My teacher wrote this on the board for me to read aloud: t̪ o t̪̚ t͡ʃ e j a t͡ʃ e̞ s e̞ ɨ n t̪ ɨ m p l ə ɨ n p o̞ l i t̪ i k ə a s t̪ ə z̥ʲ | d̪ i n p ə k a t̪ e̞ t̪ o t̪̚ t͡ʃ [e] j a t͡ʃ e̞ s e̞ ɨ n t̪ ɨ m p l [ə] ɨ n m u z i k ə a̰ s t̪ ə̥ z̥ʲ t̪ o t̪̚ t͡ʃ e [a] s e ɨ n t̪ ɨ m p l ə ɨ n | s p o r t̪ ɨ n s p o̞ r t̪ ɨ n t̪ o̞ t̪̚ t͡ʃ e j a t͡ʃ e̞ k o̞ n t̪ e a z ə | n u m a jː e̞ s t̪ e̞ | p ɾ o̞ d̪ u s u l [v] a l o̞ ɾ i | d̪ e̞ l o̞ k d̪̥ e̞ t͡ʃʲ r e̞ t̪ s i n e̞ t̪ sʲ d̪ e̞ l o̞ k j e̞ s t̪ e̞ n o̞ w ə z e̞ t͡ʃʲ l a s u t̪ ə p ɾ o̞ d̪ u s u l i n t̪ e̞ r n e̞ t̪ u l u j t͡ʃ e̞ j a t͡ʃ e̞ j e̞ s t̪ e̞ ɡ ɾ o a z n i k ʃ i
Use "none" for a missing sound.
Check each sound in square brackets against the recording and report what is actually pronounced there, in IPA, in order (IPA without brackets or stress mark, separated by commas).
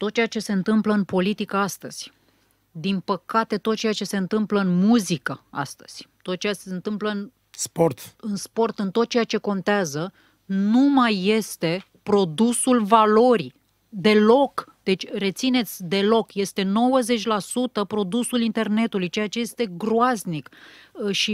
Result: e, ə, a, v